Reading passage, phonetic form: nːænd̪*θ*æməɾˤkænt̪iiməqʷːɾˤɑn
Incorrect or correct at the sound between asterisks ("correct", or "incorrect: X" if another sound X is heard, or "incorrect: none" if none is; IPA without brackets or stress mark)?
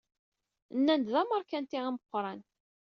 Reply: incorrect: ð